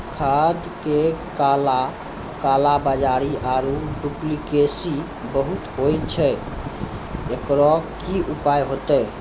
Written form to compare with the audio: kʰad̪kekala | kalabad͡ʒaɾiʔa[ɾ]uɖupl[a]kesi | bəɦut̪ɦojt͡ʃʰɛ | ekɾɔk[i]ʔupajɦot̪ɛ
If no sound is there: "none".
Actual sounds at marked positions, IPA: ɾ, i, i

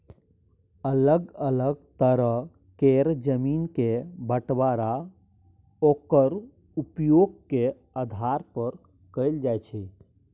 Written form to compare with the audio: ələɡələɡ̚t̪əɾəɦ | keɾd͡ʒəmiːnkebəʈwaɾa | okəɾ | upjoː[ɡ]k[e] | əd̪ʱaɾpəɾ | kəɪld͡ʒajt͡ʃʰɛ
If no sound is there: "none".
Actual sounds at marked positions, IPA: ɡ, e

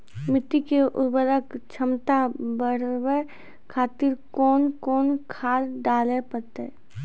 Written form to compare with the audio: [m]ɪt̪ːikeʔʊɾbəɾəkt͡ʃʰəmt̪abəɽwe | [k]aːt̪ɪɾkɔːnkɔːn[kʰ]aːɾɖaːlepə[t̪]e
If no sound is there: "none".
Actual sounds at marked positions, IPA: m, kʰ, kʰ, t̪

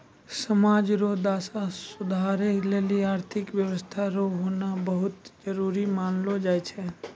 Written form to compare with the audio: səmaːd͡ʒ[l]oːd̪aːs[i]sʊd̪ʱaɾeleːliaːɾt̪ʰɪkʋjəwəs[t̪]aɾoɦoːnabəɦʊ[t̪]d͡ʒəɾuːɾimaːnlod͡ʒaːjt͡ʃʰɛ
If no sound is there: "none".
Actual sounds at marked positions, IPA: ɾ, a, t̪ʰ, t̪

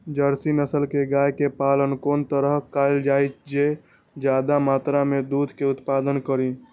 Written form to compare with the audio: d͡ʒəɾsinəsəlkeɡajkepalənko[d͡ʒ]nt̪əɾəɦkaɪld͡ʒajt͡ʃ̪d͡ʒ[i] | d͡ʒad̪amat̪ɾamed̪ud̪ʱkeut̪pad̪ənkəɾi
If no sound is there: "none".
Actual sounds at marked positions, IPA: none, e

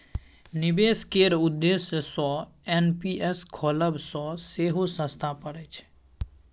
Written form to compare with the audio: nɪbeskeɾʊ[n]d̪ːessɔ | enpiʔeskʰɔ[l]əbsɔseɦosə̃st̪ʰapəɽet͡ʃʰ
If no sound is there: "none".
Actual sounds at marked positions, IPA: none, l

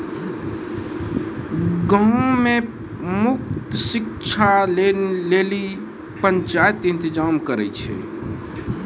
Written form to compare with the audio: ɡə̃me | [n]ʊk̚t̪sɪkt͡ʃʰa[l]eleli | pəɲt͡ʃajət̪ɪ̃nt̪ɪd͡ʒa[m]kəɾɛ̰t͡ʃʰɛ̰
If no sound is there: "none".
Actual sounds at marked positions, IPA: m, l, m

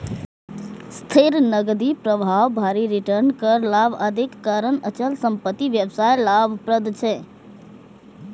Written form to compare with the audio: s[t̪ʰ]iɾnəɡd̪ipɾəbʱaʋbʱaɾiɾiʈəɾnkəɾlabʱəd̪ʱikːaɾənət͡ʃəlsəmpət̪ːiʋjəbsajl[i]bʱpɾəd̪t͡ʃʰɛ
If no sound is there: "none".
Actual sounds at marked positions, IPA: t̪ʰ, a

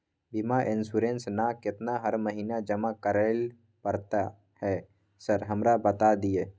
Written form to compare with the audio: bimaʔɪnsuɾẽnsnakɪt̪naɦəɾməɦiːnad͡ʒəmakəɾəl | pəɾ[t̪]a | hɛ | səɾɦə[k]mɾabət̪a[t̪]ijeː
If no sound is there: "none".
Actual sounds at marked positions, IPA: t̪, none, d̪

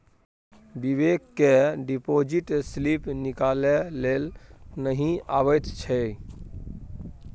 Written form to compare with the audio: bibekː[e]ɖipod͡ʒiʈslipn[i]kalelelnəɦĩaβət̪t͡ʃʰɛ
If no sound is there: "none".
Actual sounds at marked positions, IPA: e, i

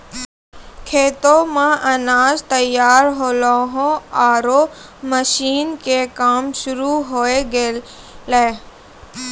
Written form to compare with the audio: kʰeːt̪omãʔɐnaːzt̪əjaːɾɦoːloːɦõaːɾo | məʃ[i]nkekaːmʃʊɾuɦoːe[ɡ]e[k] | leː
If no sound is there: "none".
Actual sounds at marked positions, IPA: iː, ɡ, none

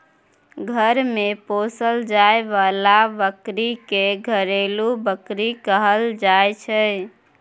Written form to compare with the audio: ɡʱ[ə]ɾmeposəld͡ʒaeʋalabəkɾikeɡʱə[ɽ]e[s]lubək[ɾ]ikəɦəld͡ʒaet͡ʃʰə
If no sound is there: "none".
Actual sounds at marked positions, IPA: ə, ɾ, none, ɾ

